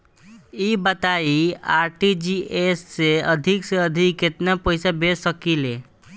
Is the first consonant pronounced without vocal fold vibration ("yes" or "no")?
no